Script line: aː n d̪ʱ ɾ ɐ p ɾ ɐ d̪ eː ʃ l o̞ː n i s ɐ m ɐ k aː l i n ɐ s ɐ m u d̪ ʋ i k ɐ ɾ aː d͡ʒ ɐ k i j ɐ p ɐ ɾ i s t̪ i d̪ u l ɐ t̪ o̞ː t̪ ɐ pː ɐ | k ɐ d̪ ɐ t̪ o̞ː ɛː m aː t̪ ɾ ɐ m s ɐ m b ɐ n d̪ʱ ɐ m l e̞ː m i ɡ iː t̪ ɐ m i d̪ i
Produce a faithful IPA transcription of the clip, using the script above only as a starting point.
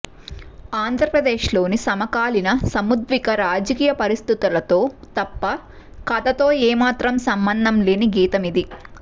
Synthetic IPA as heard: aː n d̪ʱ ɾ ɐ p ɾ ɐ d̪ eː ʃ l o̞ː n i s ɐ m ɐ k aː l i n ɐ s ɐ m u d̪ ʋ i k ɐ ɾ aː d͡ʒ ɐ k iː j ɐ p ɐ ɾ i s t̪ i t̪ u l ɐ t̪ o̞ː t̪ ɐ pː ɐ | k ɐ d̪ ɐ t̪ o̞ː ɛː m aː t̪ ɾ ɐ m s ɐ m b ɐ n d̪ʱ ɐ m l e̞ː n i ɡ iː t̪ ɐ m i d̪ i